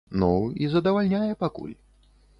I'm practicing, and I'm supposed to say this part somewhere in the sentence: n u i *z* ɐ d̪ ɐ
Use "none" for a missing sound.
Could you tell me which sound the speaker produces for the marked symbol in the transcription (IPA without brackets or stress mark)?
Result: z